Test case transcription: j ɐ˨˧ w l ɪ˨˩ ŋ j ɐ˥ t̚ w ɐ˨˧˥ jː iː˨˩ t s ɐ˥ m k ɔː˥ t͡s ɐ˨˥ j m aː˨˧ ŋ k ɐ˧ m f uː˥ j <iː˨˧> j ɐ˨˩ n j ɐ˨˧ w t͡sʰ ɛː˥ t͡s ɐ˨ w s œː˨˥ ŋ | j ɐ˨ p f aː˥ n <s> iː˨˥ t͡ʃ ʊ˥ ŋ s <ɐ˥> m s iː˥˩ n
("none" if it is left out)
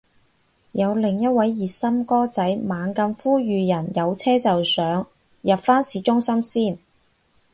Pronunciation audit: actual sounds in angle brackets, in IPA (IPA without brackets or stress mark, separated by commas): yː˨˧, s, ɐ˥